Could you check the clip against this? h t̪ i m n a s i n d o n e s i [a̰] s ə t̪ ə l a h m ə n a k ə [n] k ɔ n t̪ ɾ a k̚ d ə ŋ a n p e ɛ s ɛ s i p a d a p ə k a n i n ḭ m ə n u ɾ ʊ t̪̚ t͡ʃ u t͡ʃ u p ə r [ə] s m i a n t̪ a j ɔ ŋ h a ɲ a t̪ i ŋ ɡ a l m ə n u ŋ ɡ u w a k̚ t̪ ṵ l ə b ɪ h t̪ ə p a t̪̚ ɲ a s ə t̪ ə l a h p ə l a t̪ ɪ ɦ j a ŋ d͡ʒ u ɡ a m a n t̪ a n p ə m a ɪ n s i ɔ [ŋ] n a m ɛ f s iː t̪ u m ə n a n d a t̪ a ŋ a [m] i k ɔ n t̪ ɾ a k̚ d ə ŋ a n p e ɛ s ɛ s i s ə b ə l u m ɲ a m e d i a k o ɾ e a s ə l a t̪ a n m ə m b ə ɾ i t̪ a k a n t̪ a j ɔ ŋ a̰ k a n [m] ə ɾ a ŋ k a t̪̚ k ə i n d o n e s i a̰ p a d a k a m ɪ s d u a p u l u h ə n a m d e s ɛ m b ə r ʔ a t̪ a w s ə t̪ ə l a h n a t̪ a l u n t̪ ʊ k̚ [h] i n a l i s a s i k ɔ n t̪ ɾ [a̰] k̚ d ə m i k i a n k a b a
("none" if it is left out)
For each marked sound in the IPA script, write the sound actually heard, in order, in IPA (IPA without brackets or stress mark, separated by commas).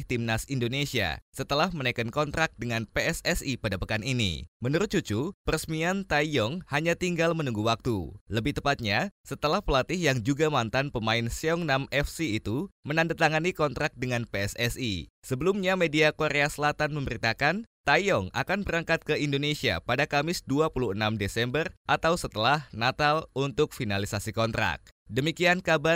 a̰, n, ə, ŋ, n, b, f, a̰